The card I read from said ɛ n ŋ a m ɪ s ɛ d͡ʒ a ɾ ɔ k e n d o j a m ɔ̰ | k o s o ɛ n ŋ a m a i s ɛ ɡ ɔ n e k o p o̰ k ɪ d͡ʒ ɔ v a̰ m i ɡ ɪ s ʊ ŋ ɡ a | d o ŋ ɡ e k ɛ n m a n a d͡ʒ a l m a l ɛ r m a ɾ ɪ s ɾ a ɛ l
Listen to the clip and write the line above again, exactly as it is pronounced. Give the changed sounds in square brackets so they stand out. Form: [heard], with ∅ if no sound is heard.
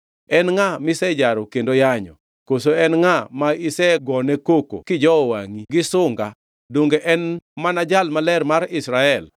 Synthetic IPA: ɛ n ŋ a m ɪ s ɛ d͡ʒ a ɾ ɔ k e n d o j a [ɲ] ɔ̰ | k o s o ɛ n ŋ a m a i s ɛ ɡ ɔ n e k o [k] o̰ k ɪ d͡ʒ ɔ [w] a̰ [ŋ] i ɡ ɪ s ʊ ŋ ɡ a | d o ŋ ɡ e [ʔ] ɛ n m a n a d͡ʒ a l m a l ɛ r m a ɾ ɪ s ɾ a ɛ l